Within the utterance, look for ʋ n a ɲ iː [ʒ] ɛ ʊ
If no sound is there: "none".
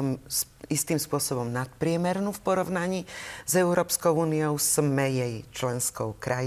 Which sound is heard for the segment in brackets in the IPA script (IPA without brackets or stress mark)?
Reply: z